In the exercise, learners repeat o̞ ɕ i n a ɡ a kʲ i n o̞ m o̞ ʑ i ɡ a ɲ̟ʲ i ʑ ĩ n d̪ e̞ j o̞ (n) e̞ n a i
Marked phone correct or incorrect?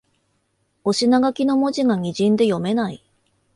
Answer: incorrect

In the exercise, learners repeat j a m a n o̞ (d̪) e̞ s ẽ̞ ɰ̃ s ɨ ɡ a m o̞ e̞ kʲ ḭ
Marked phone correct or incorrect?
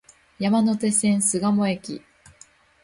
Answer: incorrect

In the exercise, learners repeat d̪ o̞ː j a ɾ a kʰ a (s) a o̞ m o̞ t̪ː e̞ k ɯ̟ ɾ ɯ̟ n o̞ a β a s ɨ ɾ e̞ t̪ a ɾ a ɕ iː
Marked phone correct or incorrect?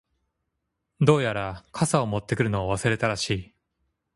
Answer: correct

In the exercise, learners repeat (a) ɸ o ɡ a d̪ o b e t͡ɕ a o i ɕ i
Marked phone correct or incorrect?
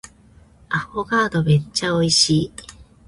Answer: correct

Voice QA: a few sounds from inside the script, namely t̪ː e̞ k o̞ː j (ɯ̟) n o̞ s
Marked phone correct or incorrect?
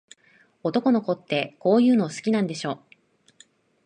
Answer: incorrect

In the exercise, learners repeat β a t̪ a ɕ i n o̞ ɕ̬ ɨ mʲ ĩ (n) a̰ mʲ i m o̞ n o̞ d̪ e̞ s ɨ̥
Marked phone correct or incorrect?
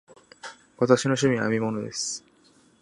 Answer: incorrect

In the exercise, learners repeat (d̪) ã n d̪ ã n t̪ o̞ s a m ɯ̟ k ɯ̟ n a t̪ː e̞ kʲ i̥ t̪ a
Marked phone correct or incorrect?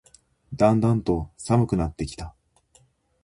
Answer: correct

